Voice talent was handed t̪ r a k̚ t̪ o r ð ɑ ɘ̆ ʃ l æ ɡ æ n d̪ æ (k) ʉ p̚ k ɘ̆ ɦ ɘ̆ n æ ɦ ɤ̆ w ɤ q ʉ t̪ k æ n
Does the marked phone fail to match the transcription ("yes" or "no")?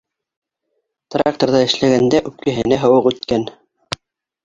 yes